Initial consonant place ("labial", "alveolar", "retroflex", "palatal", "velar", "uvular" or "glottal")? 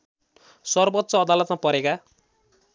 alveolar